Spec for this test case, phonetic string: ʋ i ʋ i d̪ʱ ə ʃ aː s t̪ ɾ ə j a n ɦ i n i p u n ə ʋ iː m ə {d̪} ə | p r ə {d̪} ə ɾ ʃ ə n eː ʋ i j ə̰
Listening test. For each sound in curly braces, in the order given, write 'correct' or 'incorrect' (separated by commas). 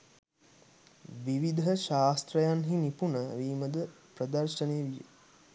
correct, correct